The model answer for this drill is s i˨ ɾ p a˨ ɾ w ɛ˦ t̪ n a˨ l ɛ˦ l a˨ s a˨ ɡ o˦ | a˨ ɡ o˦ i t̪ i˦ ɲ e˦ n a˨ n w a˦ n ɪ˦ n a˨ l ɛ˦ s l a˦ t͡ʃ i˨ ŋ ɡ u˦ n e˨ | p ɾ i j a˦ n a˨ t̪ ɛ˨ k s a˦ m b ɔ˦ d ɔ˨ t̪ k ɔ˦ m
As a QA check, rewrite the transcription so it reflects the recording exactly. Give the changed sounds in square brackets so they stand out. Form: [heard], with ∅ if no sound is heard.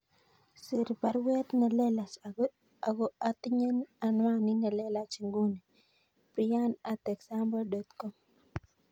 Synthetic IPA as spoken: s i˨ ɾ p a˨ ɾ w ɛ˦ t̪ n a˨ l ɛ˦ l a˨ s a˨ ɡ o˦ | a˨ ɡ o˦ [a] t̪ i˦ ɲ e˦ n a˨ n w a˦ n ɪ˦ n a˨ l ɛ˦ [∅] l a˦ t͡ʃ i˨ ŋ ɡ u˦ n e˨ | p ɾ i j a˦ n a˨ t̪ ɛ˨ k s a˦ m b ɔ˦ d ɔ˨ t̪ k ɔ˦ m